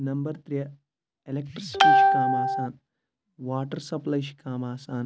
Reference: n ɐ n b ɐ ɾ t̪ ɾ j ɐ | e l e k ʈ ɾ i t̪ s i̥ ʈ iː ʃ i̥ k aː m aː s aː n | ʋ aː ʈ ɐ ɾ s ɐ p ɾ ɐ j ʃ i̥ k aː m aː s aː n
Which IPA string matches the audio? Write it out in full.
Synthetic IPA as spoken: n ɐ m b ɐ ɾ t̪ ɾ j ɐ | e l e k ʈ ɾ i s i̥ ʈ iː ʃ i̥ k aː m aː s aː n | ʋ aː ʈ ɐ ɾ s ɐ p l ɐ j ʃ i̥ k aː m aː s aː n